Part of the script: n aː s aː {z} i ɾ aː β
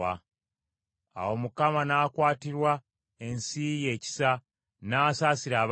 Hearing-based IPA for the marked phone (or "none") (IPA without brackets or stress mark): s